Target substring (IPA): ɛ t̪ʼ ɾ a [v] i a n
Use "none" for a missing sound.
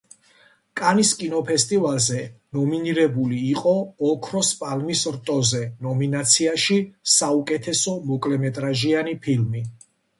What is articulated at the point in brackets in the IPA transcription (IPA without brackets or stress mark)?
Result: ʒ